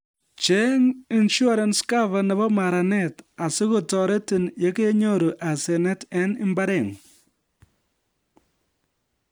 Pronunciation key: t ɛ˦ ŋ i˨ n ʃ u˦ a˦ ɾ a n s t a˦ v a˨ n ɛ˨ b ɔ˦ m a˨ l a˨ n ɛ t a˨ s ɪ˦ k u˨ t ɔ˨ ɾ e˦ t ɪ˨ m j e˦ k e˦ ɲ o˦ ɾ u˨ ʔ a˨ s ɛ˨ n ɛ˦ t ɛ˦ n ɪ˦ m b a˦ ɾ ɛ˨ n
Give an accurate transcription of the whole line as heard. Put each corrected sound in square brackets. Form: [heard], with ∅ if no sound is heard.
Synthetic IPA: [t͡ʃ] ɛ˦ ŋ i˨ n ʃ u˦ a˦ ɾ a n s [k] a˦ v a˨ n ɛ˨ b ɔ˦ m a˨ [ɾ] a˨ n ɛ t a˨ s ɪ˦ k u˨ t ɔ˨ ɾ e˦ t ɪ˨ [n] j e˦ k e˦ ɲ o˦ ɾ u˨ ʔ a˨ s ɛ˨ n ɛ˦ t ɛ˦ n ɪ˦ m b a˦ ɾ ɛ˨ [ŋ]